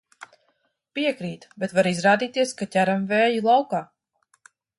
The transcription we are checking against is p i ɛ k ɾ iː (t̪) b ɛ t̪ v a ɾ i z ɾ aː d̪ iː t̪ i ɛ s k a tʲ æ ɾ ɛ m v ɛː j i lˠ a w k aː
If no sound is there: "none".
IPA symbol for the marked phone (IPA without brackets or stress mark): t̪